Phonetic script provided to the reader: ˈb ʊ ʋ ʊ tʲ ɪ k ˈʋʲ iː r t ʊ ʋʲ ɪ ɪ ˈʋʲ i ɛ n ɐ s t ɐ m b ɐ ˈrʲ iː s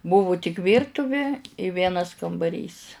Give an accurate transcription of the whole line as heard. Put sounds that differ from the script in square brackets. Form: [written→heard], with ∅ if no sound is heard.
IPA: ˈb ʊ ʋ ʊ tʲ ɪ k ˈʋʲ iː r t ʊ ʋʲ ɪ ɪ ˈʋʲ i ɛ n ɐ s [t→k] ɐ m b ɐ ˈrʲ iː s